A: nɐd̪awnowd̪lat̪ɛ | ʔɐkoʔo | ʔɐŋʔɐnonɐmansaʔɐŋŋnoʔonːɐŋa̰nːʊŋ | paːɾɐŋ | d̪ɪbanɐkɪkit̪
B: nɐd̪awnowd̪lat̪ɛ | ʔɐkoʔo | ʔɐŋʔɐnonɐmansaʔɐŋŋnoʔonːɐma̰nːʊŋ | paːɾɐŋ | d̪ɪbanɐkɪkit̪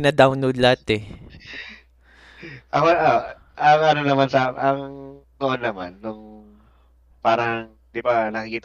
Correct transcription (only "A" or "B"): B